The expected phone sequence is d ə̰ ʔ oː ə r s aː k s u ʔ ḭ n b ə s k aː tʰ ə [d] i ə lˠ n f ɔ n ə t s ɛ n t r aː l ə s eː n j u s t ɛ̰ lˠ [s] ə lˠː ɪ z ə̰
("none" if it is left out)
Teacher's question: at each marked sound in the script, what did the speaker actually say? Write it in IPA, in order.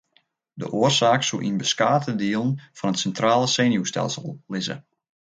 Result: d, s

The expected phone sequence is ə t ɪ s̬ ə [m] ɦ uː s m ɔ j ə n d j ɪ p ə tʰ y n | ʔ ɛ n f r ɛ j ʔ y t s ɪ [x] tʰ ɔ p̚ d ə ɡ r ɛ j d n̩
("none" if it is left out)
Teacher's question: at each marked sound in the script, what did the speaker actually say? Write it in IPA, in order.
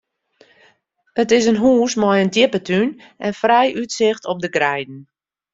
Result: n, x

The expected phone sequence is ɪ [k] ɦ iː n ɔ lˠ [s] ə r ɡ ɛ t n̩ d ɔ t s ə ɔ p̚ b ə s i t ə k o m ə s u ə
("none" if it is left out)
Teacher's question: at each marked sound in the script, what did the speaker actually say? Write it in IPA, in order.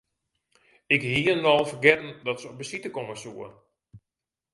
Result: k, f

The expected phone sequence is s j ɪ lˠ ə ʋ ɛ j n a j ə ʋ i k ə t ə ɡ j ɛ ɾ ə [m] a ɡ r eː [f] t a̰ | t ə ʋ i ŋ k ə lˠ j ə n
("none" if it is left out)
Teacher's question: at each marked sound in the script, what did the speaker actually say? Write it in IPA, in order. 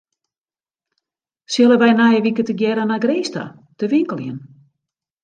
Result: n, s

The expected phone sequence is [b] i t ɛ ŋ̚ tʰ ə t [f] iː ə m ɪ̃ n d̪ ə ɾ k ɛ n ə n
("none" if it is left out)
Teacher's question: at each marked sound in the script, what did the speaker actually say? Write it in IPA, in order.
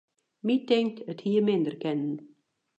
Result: m, h

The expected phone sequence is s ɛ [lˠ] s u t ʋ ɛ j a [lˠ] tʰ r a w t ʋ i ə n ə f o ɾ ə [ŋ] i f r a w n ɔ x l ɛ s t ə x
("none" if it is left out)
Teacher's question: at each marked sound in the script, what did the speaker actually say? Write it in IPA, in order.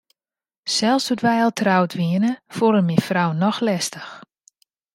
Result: lˠ, lˠ, m

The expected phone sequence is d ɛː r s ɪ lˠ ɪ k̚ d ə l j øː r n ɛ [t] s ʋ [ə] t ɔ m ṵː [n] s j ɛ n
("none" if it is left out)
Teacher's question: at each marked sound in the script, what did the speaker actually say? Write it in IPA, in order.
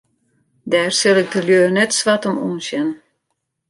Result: t, a, n

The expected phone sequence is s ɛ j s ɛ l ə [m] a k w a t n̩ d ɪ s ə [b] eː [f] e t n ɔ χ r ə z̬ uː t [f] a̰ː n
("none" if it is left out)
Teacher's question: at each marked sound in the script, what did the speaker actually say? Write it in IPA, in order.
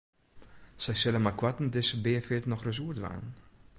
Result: m, b, f, v

